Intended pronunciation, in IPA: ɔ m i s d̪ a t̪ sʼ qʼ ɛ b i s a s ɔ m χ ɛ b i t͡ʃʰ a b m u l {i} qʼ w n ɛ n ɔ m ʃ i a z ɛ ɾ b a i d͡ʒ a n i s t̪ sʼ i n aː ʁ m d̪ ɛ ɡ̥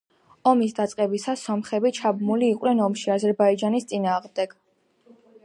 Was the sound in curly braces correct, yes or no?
no